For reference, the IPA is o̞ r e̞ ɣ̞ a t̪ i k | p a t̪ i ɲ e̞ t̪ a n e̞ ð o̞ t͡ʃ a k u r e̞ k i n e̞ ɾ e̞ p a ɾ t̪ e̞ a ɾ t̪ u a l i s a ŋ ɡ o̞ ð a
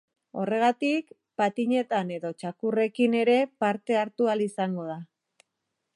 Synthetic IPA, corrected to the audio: o̞ r e̞ ɣ̞ a t̪ i k | p a t̪ i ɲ e̞ t̪ a n e̞ ð o̞ t͡ʃ a k u r e̞ k i n e̞ ɾ e̞ p a ɾ t̪ e̞ a ɾ t̪ u a l i s a ŋ ɡ o̞ ð a